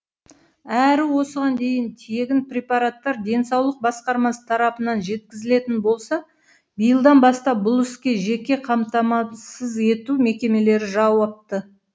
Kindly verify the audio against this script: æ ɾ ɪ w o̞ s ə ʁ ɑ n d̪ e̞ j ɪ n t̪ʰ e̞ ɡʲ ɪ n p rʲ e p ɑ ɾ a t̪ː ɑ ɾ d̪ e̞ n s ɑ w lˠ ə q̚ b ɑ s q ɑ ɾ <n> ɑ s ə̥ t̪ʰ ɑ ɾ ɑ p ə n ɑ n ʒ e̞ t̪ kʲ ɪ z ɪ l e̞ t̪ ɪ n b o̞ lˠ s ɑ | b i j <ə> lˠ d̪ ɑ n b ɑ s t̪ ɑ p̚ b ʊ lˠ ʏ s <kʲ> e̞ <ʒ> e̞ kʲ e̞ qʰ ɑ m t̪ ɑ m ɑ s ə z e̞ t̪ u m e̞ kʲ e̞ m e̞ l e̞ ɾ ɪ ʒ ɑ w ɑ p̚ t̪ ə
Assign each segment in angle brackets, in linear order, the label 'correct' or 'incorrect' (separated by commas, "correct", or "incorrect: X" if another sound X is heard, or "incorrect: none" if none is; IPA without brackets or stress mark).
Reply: incorrect: m, correct, correct, correct